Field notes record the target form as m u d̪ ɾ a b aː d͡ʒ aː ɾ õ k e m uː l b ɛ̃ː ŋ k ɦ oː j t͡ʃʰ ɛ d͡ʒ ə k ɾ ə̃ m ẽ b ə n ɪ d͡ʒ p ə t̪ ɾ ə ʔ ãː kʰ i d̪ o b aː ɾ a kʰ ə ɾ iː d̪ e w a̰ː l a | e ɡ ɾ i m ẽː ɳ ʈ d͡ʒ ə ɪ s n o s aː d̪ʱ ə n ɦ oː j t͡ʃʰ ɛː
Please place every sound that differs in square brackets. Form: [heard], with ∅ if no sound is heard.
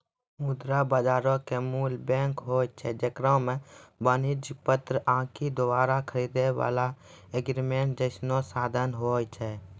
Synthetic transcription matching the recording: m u d̪ ɾ a b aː d͡ʒ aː ɾ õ k e m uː l b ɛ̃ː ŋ k ɦ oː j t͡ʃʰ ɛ d͡ʒ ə k ɾ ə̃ m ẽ b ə n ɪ d͡ʒ p ə t̪ ɾ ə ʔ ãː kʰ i d̪ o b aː ɾ a kʰ ə ɾ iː d̪ e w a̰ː l a | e ɡ ɾ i m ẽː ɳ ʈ d͡ʒ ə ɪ s n o s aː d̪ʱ ə n ɦ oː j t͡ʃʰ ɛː